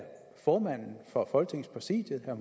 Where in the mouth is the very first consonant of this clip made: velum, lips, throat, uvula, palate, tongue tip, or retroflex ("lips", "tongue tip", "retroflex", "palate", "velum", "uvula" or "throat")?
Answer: lips